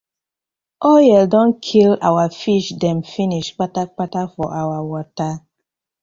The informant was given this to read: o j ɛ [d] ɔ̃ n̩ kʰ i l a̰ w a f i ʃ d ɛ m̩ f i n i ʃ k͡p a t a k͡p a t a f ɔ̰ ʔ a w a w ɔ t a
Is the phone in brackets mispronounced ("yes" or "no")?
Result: no